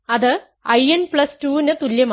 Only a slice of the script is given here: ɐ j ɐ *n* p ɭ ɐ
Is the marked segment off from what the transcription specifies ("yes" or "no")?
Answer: no